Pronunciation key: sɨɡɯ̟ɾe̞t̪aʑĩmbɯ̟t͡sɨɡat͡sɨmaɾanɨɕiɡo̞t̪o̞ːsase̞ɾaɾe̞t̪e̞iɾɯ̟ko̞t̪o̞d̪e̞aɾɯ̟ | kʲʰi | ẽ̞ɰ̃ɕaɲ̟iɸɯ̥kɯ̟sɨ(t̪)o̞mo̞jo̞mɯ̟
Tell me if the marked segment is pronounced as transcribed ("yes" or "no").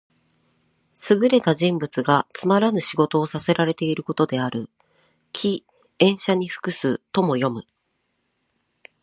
yes